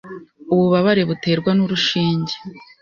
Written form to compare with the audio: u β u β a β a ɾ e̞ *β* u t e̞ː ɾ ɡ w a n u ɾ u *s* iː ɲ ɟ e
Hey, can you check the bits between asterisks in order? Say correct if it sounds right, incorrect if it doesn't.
correct, incorrect: ʃ

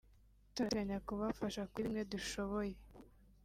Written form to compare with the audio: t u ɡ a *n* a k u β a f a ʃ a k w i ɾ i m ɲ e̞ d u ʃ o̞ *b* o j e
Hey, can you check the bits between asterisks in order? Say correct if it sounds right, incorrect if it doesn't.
incorrect: ɲ, incorrect: β

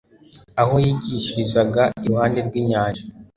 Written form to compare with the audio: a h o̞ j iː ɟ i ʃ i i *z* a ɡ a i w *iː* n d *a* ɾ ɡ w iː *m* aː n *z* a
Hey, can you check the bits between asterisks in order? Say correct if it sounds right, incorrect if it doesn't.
correct, incorrect: aː, incorrect: e, incorrect: ɲ, incorrect: ʒ

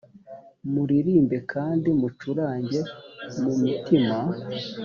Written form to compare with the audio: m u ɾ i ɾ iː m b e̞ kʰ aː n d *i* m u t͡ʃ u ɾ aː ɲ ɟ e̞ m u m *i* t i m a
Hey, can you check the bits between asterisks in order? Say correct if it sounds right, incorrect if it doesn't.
correct, correct

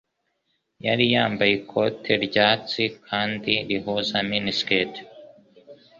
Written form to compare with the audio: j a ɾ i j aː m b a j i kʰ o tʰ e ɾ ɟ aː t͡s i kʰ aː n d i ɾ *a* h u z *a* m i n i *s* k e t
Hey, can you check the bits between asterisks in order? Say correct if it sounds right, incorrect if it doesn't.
incorrect: i, correct, correct

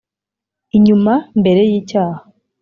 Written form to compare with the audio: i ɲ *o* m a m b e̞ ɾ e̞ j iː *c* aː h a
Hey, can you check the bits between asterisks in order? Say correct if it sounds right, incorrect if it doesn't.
incorrect: u, correct

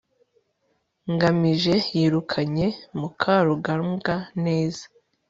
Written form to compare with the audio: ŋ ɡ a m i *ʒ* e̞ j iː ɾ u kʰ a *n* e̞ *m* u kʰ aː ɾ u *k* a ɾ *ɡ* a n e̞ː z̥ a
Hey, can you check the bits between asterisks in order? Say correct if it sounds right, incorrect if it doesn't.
correct, incorrect: ɲ, correct, incorrect: ɡ, correct

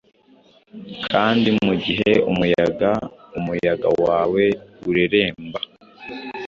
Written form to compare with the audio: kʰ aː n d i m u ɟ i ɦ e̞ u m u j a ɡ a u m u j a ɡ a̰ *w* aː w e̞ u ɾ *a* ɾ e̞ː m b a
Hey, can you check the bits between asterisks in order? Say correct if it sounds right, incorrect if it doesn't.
correct, incorrect: e

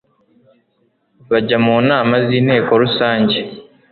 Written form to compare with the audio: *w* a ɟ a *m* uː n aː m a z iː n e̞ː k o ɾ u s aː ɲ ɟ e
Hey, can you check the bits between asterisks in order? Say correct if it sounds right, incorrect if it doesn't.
incorrect: β, correct

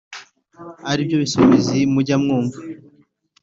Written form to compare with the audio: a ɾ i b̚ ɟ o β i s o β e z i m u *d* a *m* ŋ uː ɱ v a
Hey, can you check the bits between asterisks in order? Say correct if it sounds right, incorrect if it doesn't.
incorrect: ɟ, correct

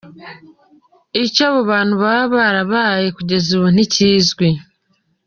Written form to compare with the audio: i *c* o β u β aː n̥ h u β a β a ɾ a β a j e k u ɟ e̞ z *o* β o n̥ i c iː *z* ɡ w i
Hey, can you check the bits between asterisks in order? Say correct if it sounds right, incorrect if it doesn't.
correct, incorrect: u, correct

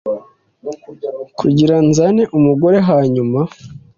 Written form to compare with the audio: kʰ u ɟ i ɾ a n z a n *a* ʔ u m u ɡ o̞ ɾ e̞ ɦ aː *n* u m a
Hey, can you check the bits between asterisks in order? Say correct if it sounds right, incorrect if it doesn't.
incorrect: e, incorrect: ɲ

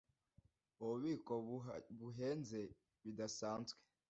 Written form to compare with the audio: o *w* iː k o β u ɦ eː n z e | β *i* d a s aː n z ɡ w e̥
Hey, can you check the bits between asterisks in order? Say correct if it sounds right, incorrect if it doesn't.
incorrect: β, correct

